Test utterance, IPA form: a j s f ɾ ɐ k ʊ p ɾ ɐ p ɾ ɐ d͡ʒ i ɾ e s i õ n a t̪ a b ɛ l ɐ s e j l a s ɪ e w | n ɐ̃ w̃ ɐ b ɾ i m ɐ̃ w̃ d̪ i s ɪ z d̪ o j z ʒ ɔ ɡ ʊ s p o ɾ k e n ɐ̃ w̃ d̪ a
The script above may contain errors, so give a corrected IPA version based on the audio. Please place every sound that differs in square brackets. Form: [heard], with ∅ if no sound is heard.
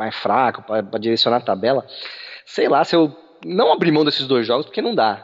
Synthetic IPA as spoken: a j s f ɾ [a] k ʊ p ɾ ɐ p ɾ ɐ d͡ʒ i ɾ e s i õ n a t̪ a b ɛ l ɐ s e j l a s ɪ e w | n ɐ̃ w̃ [a] b ɾ i m ɐ̃ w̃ d̪ [e] s ɪ z d̪ o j z ʒ ɔ ɡ ʊ s p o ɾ k e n ɐ̃ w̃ d̪ a